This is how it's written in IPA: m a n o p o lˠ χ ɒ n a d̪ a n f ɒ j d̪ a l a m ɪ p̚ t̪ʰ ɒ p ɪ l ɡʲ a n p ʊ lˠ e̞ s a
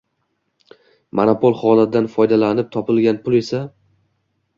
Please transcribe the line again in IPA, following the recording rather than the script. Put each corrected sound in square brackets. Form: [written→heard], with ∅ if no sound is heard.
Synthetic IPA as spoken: m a n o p o lˠ χ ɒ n a d̪ a n f ɒ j d̪ a l a [m→n] ɪ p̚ t̪ʰ ɒ p ɪ l ɡʲ a n p ʊ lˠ e̞ s a